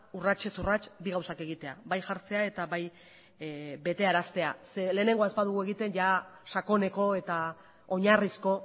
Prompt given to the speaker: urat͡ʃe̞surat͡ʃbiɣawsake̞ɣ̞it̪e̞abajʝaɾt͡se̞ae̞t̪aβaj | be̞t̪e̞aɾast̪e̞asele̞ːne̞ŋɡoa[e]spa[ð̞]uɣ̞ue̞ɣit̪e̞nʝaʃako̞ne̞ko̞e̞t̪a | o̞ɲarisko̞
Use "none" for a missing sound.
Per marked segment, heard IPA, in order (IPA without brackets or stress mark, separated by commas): e, ð̞